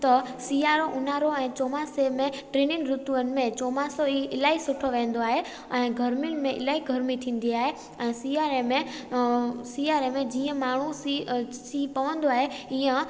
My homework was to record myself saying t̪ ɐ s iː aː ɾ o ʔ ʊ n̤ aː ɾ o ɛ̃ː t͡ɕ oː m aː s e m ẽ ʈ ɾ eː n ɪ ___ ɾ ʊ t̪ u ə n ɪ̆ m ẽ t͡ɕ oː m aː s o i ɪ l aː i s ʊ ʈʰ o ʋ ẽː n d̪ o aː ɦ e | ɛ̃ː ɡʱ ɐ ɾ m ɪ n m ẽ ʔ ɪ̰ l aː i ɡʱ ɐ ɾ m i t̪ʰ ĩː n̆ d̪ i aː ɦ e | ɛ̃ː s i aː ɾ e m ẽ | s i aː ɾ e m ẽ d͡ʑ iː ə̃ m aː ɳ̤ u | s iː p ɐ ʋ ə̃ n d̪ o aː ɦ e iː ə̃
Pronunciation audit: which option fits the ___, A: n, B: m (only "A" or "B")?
A